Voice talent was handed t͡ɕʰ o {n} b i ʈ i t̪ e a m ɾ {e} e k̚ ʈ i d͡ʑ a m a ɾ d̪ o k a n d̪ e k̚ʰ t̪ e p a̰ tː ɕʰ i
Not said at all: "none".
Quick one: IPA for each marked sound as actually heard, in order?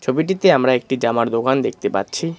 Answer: none, a

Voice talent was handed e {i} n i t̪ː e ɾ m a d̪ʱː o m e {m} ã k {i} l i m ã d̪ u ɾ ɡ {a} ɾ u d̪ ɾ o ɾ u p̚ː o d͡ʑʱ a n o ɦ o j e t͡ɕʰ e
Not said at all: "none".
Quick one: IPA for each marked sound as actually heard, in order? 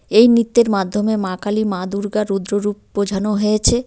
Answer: j, m, a, a

